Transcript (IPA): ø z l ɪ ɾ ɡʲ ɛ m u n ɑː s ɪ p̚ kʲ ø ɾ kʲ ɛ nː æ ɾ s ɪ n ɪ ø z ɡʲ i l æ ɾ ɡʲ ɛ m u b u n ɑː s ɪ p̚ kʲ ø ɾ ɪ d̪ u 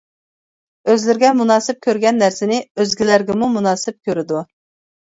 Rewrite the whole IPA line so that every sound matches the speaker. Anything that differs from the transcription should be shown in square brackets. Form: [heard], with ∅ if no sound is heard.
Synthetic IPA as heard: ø z l ɪ ɾ ɡʲ ɛ m u n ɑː s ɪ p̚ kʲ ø ɾ [ɡʲ] ɛ nː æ ɾ s ɪ n ɪ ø z ɡʲ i l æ ɾ ɡʲ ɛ m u [m] u n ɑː s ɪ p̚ kʲ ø ɾ ɪ d̪ u